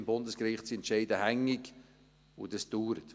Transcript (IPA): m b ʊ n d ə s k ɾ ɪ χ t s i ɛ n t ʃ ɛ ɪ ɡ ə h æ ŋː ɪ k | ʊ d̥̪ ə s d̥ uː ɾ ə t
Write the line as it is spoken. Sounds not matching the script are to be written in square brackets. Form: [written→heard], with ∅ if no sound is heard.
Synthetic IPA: m b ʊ n d ə s k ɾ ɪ χ t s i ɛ n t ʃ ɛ ɪ [ɡ→d] ə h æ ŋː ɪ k | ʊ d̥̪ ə s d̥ uː ɾ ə t